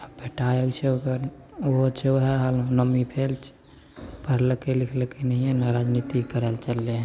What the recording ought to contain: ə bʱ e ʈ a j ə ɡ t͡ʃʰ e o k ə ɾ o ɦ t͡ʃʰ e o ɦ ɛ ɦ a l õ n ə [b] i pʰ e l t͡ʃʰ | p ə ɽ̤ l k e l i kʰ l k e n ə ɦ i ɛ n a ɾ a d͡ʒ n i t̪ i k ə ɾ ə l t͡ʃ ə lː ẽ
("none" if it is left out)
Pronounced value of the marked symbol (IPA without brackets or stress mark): m